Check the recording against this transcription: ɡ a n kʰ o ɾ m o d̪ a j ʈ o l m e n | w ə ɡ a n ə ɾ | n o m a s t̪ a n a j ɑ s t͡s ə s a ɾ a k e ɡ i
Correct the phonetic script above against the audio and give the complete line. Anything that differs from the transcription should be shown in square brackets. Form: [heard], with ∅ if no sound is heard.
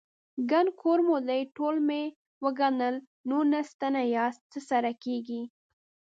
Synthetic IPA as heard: ɡ a n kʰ o ɾ m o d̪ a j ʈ o l m e [∅] | w ə ɡ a n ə [l] | n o [n] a s t̪ a n a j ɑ s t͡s ə s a ɾ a k e ɡ i